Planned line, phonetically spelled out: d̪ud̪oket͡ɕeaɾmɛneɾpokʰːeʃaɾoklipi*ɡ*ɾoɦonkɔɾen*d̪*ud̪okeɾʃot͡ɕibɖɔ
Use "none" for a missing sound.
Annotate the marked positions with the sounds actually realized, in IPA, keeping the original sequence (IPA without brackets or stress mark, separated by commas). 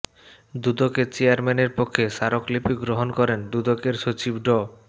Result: ɡ, d̪